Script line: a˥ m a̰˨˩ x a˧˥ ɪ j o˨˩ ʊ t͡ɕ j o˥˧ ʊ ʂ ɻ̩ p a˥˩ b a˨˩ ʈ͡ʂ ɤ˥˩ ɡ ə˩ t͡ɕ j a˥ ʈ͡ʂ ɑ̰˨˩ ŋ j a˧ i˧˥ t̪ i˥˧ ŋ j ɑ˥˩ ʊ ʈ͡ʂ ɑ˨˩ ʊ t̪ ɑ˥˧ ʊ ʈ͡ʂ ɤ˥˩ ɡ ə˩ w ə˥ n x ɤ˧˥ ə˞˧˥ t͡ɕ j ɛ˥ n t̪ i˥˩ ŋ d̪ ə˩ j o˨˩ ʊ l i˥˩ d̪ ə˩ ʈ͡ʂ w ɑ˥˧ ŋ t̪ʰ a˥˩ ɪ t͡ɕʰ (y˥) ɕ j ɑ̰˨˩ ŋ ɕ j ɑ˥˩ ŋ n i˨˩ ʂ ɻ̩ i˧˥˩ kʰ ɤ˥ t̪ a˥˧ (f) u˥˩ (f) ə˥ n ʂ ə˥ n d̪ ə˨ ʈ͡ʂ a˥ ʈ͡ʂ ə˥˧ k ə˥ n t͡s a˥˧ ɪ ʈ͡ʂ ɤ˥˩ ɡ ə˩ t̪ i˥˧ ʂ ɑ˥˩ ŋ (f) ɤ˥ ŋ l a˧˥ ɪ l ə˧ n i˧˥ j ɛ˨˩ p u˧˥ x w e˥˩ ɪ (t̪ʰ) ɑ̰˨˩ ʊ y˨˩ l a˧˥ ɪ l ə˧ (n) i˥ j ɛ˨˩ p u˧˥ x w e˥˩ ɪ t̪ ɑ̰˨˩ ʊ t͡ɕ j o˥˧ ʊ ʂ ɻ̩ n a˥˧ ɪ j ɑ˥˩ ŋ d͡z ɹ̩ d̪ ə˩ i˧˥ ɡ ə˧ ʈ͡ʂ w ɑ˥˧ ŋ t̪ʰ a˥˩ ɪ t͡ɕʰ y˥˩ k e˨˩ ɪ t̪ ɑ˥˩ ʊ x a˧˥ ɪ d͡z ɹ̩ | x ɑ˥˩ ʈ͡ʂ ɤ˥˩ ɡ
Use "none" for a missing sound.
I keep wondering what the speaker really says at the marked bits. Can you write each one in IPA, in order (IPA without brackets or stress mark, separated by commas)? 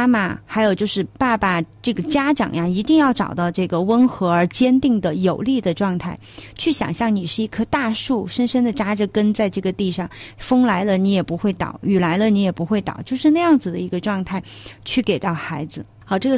y˥˩, ʂ, ʂ, f, t̪, n